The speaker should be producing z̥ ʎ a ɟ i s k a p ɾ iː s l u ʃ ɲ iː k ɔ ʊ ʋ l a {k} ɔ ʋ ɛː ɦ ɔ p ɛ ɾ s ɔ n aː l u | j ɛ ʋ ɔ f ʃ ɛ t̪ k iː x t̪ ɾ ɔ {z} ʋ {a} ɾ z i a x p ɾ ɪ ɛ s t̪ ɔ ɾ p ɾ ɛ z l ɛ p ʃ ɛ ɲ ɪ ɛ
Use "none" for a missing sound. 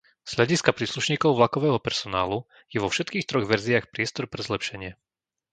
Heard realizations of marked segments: k, ɣ, ɛ

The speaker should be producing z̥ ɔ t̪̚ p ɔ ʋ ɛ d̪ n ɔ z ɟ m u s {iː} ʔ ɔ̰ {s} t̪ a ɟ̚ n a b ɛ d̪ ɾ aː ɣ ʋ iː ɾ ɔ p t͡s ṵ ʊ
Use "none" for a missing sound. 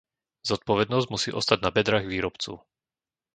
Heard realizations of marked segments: iː, s

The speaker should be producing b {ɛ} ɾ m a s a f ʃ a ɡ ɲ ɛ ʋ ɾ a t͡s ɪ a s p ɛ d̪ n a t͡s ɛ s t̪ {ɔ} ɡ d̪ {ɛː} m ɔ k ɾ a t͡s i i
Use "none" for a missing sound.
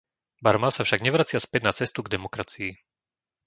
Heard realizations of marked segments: a, u, ɛ

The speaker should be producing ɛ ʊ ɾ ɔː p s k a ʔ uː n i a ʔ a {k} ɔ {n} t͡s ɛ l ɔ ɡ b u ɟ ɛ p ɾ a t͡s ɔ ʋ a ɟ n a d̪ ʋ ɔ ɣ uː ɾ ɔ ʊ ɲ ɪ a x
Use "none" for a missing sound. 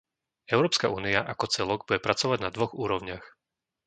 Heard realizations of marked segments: k, none

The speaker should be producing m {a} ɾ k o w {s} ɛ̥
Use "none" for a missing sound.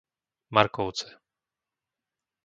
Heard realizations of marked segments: a, t͡s

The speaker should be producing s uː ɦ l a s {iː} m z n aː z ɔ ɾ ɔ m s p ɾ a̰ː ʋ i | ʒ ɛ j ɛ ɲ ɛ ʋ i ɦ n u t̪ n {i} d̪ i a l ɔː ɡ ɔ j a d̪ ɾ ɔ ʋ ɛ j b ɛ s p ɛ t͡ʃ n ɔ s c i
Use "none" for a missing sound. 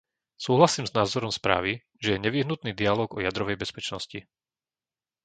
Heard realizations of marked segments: iː, iː

